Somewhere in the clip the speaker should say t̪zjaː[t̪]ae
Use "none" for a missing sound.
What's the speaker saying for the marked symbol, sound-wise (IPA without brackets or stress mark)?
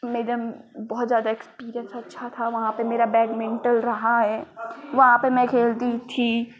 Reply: d̪